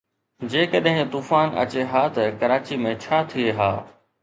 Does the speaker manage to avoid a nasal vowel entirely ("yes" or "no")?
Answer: no